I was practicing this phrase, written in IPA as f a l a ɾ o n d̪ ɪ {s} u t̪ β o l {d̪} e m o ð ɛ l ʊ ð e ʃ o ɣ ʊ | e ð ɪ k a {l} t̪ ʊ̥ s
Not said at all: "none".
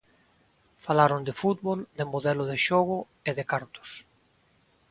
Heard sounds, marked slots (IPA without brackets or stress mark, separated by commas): f, d̪, ɾ